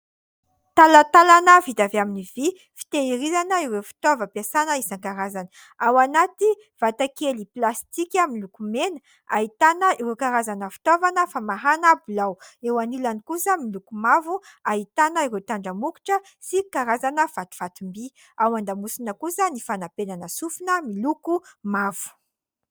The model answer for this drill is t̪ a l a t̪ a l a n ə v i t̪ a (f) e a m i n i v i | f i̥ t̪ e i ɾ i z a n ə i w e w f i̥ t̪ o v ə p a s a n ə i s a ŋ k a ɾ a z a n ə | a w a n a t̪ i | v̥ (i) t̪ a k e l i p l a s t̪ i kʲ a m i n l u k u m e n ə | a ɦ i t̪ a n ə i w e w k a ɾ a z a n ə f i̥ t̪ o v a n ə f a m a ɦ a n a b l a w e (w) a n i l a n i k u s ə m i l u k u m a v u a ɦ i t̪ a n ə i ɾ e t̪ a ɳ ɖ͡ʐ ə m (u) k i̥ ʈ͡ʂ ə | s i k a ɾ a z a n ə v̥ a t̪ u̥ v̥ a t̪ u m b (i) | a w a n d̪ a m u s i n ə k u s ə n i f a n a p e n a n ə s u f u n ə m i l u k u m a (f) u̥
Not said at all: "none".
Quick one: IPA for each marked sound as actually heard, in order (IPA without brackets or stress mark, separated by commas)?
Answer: v, a, w, u, i, v